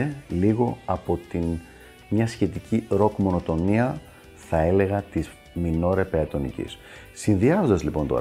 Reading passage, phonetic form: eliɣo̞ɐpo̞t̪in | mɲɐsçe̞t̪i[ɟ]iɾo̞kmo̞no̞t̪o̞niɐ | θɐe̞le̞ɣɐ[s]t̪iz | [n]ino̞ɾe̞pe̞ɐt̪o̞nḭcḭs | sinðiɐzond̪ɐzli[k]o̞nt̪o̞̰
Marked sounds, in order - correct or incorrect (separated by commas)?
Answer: incorrect, incorrect, incorrect, incorrect